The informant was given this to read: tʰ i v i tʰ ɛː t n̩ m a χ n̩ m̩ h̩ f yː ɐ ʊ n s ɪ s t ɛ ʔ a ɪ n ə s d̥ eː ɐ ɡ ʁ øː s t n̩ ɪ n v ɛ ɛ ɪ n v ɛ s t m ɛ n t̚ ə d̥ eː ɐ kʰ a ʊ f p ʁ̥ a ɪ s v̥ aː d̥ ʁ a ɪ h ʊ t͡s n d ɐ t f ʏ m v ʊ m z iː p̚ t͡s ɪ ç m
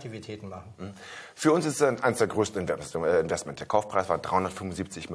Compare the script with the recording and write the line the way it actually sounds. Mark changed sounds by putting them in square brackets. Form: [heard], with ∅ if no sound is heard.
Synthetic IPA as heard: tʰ i v i tʰ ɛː t n̩ m a χ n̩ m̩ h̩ f yː ɐ ʊ n s ɪ s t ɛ ʔ a ɪ n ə s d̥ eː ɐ ɡ ʁ øː s t n̩ ɪ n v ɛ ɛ ɪ n v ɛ s t m ɛ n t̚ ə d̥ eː ɐ kʰ a ʊ f p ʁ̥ a ɪ s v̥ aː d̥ ʁ a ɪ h ʊ [∅] n d ɐ t f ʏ m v ʊ [n] z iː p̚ t͡s ɪ ç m